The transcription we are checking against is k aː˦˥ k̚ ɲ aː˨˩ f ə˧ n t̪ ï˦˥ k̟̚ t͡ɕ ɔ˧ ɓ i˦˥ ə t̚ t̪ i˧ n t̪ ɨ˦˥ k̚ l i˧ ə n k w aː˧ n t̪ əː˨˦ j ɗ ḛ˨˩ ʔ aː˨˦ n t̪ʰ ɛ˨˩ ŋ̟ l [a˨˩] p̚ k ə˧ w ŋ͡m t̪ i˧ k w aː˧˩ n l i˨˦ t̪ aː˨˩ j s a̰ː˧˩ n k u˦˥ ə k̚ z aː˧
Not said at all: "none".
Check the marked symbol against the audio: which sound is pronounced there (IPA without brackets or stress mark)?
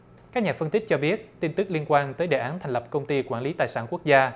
ə˨˩